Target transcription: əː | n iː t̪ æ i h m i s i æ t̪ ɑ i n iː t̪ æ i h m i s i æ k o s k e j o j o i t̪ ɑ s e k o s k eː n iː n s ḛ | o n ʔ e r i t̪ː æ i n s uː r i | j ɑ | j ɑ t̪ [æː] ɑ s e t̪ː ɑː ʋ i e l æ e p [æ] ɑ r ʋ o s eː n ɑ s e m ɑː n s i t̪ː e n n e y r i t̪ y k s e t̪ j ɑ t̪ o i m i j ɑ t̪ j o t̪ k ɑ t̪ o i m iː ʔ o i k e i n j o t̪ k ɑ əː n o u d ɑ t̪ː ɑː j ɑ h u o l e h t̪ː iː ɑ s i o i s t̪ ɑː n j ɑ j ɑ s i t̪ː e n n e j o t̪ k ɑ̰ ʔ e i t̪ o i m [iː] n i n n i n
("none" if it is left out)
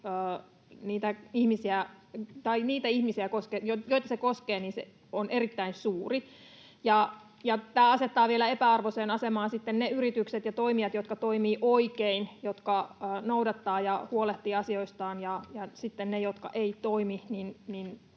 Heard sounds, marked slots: æː, æ, i

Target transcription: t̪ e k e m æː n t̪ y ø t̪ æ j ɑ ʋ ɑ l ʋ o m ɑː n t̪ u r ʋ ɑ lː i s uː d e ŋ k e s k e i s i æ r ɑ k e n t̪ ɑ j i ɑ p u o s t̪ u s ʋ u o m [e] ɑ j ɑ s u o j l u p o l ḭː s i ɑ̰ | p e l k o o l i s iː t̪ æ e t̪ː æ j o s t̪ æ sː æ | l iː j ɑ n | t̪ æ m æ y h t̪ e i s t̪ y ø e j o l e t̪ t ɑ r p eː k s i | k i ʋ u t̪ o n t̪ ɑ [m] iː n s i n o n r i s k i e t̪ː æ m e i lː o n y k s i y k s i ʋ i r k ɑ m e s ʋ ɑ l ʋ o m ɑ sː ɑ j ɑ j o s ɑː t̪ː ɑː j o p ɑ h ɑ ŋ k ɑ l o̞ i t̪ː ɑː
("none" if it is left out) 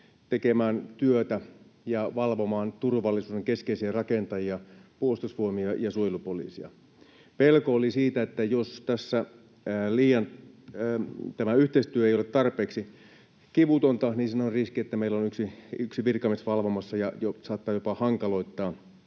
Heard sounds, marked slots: i, n

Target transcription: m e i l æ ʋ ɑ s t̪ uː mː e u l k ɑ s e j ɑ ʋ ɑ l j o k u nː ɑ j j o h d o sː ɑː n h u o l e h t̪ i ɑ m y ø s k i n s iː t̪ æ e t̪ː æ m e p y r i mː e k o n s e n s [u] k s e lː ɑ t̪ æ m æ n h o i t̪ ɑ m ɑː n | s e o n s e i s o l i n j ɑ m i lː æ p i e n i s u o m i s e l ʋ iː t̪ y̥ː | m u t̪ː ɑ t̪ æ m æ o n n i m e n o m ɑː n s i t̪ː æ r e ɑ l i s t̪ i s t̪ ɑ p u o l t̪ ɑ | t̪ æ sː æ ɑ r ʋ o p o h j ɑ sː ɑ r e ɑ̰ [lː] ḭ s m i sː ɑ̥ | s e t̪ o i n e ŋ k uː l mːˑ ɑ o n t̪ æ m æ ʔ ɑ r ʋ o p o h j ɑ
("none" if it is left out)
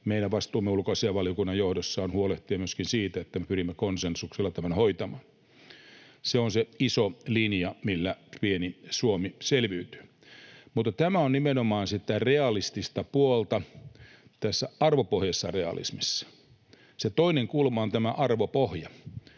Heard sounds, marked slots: u, l

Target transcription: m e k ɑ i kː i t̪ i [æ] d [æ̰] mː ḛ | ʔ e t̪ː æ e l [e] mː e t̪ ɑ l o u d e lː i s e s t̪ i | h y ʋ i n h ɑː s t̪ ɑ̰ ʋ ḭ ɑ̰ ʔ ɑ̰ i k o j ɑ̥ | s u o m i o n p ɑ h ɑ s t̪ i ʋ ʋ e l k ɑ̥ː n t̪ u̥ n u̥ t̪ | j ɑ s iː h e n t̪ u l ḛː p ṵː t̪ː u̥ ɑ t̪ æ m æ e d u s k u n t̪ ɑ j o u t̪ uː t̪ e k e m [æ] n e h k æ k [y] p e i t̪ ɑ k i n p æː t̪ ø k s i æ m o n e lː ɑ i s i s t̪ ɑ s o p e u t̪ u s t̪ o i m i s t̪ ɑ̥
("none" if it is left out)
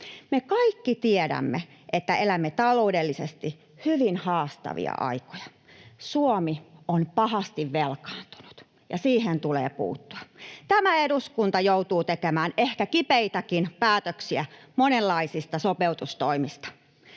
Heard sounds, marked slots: e, æ̰, æ, æː, i

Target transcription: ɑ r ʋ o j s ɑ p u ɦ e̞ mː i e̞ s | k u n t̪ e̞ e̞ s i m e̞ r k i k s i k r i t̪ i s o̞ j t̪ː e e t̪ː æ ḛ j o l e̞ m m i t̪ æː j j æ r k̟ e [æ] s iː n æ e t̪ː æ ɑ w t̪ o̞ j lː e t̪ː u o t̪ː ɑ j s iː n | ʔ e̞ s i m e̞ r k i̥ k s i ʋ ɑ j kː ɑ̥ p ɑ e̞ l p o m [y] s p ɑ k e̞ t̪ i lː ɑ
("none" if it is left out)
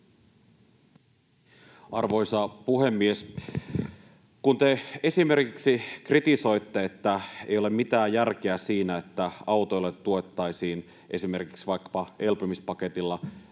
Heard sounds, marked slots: æ, i

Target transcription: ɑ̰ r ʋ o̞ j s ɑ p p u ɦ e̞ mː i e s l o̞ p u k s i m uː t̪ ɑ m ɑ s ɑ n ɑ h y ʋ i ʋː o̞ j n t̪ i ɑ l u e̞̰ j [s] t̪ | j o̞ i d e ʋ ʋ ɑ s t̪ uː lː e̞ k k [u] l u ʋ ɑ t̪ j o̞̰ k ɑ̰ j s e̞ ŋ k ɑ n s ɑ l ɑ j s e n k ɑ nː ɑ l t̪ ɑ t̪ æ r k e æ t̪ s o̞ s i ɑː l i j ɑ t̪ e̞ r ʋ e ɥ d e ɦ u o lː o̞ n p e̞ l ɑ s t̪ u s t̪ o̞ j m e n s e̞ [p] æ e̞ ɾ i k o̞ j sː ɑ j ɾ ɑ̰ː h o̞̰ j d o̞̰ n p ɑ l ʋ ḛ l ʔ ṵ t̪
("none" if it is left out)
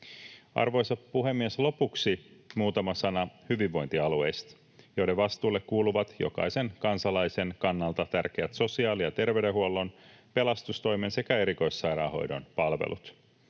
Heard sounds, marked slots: s, uː, k

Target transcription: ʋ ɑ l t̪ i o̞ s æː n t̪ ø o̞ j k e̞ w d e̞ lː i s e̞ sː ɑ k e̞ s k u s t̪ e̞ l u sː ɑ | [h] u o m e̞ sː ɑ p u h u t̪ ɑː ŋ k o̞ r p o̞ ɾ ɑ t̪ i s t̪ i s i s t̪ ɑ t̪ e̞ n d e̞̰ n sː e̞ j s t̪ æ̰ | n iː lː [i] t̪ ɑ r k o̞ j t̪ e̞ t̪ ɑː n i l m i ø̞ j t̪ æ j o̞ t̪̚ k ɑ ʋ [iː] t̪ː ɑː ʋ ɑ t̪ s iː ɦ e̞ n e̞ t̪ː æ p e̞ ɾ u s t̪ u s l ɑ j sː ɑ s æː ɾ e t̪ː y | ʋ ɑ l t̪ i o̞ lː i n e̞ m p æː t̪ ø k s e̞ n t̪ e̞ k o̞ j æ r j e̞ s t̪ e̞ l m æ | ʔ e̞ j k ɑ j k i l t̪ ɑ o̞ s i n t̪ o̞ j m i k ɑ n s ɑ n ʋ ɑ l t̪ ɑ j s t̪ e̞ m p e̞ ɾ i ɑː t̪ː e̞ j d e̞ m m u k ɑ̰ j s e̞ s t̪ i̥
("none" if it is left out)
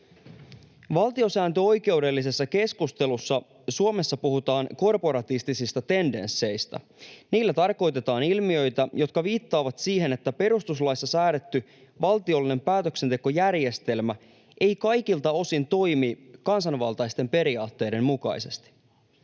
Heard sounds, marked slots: s, æ, iː

